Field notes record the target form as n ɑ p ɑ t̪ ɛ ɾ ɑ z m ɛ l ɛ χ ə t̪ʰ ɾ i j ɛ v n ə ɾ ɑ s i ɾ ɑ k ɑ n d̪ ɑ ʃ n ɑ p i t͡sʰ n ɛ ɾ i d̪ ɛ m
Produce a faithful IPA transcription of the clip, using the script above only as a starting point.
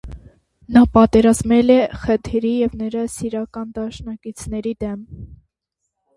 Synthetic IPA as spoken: n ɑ p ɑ t̪ ɛ ɾ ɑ z m ɛ l ɛ χ ə t̪ʰ ɾ i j ɛ v n ə ɾ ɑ s i ɾ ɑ k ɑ n d̪ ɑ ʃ n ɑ k i t͡sʰ n ɛ ɾ i d̪ ɛ m